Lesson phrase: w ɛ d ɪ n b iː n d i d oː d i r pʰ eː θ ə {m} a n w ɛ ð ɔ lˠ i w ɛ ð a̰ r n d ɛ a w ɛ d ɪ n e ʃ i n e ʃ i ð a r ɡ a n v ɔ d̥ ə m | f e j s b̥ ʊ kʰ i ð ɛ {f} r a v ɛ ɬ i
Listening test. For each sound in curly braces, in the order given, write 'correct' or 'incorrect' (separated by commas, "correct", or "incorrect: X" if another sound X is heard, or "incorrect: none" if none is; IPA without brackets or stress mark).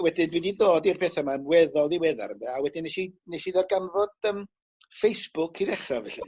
correct, incorrect: χ